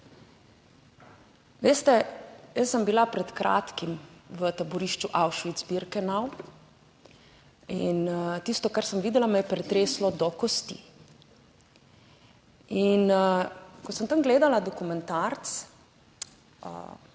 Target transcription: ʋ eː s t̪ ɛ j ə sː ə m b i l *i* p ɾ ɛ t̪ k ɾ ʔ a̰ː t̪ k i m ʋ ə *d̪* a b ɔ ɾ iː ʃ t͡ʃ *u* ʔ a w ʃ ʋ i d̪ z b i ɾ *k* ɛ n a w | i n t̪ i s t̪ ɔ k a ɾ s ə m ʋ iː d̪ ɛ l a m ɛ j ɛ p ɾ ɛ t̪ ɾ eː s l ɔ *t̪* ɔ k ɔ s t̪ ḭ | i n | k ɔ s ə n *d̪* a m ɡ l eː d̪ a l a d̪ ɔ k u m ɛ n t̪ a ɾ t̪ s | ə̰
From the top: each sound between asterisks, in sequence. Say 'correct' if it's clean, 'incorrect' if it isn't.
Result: incorrect: a, incorrect: t̪, correct, correct, incorrect: d̪, incorrect: t̪

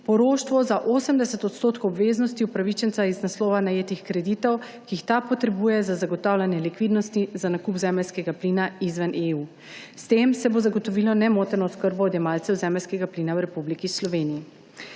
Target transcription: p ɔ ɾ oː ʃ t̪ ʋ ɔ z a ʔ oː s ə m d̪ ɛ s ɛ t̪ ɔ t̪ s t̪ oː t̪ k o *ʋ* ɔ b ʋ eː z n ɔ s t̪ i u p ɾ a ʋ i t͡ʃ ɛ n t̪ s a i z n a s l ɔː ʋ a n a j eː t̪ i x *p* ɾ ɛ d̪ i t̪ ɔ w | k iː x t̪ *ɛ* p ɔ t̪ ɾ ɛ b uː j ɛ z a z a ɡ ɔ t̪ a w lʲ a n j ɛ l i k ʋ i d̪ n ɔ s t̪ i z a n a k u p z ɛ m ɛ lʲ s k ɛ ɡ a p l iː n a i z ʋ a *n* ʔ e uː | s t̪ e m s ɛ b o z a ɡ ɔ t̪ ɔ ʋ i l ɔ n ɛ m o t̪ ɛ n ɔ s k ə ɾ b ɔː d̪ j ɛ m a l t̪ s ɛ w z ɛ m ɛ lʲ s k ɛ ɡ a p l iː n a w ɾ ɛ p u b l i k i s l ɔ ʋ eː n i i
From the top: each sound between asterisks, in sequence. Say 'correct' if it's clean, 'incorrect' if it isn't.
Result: incorrect: w, incorrect: k, incorrect: a, correct

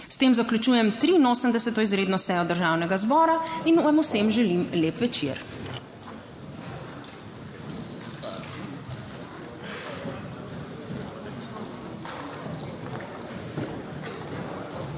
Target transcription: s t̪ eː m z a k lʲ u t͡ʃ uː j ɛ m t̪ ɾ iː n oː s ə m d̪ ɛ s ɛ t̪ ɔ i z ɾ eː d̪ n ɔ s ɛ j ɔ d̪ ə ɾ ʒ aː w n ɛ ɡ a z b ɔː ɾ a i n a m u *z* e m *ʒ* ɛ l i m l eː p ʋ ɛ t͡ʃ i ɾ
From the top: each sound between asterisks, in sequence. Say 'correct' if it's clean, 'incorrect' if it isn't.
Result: incorrect: s, correct

